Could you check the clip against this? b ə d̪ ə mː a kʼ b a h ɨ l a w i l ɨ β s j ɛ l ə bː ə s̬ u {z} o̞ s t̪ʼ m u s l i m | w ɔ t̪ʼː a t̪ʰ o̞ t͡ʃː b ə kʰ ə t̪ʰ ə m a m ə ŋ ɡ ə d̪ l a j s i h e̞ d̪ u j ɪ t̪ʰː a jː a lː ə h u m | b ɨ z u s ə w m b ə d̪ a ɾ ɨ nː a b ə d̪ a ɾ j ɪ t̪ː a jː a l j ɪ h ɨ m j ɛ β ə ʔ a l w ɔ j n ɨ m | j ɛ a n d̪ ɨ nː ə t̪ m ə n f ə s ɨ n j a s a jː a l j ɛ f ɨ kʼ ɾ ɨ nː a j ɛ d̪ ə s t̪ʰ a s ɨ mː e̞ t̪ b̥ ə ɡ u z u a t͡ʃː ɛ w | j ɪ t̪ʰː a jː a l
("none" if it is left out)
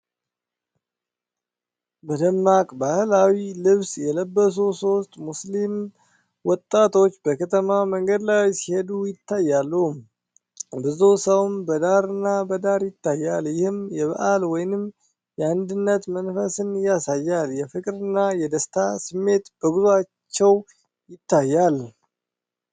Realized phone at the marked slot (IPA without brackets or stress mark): s